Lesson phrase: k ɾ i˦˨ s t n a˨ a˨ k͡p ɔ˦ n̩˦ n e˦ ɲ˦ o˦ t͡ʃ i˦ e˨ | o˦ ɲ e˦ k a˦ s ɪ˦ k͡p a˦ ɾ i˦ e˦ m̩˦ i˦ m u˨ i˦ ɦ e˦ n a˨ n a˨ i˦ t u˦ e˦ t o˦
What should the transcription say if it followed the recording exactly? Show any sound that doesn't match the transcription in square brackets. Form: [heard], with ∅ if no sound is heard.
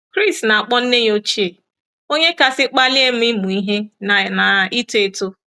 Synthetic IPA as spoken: k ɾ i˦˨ s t n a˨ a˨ k͡p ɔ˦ n̩˦ n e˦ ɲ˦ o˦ t͡ʃ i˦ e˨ | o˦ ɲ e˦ k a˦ s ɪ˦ k͡p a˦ [l] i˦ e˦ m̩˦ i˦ m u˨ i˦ ɦ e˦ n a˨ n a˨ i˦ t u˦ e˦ t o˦